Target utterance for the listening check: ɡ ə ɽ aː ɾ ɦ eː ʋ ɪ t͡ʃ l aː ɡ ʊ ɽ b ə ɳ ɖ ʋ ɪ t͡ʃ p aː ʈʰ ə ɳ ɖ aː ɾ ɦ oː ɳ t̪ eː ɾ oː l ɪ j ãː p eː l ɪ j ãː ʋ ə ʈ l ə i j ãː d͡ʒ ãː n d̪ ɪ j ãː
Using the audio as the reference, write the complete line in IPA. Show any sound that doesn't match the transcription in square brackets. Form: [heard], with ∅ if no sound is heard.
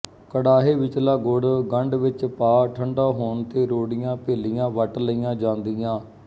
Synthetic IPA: [k] ə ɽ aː [∅] ɦ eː ʋ ɪ t͡ʃ l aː ɡ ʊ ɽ [ɡ] ə ɳ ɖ ʋ ɪ t͡ʃ p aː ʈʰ ə ɳ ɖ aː [∅] ɦ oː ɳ t̪ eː ɾ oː [ɽ] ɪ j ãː p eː l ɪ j ãː ʋ ə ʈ l ə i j ãː d͡ʒ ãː n d̪ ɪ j ãː